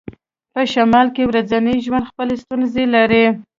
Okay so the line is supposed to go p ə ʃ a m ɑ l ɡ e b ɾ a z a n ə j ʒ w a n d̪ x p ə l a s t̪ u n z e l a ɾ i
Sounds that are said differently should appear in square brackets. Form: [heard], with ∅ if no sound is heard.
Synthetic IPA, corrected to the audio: p ə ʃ a m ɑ l [k] e [w] ɾ a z a n ə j ʒ w a n d̪ x p ə l [e] s t̪ u n z e l a ɾ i